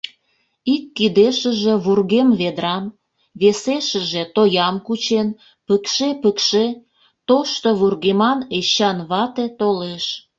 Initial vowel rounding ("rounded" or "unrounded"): unrounded